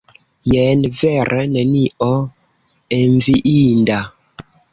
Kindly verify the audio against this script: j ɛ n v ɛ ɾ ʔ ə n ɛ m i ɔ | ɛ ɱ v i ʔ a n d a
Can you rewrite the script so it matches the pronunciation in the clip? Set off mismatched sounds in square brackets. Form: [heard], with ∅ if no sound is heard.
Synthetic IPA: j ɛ n v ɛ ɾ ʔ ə n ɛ [n] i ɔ | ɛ ɱ v i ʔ [i] n d a